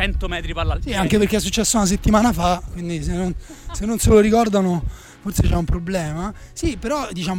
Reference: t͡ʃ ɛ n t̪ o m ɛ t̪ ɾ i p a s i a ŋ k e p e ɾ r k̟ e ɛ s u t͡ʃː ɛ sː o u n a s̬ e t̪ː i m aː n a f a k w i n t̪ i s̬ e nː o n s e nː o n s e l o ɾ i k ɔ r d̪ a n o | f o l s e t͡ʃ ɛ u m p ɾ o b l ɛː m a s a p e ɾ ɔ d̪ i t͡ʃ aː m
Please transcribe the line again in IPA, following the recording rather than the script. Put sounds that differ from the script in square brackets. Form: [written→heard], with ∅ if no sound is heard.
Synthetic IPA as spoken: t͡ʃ ɛ n t̪ o m ɛ t̪ ɾ i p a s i a ŋ k e p e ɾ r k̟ e ɛ [s→sː] u t͡ʃː ɛ sː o u n a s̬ e t̪ː i m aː n a f a k w i n [t̪→d̪] i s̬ e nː o n s e nː o n s e l o ɾ i k ɔ r d̪ a n o | f o [l→r] s e t͡ʃ ɛ u m p ɾ o b l ɛː m a s [a→i] p e ɾ ɔ d̪ i t͡ʃ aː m